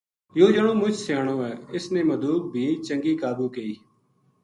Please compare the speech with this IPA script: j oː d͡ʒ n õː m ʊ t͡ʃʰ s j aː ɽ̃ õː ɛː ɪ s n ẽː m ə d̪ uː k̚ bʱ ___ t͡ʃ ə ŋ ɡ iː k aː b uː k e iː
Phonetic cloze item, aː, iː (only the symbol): iː